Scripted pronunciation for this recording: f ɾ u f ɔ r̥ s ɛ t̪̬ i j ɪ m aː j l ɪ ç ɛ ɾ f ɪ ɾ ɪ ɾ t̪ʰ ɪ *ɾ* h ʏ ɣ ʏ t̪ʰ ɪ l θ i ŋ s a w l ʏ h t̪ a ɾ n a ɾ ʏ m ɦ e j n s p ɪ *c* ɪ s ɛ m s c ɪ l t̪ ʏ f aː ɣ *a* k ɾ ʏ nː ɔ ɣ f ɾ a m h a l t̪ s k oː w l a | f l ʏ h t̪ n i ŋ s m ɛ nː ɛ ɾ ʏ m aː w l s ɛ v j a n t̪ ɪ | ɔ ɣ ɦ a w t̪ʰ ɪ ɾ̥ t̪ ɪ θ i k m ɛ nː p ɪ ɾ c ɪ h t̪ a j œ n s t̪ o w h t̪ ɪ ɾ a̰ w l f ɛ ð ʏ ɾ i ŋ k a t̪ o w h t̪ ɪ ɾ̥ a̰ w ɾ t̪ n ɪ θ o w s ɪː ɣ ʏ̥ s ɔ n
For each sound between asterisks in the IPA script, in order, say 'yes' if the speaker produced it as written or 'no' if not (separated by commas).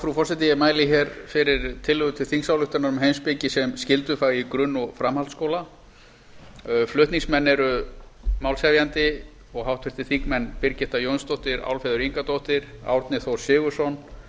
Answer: no, yes, no